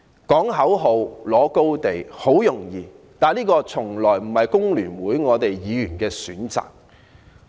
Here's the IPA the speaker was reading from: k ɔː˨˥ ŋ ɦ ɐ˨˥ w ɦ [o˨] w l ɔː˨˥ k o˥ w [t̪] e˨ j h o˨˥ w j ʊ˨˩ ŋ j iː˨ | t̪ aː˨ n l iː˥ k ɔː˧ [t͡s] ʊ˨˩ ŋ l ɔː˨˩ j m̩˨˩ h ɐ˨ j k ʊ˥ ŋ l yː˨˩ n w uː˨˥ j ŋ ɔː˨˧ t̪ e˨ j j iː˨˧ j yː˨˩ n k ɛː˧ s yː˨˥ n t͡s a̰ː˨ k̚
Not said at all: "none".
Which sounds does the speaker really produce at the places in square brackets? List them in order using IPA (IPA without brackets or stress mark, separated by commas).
o˨, t̪, t͡sʰ